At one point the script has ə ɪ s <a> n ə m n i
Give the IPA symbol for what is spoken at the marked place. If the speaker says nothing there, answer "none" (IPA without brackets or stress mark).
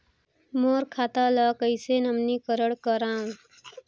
e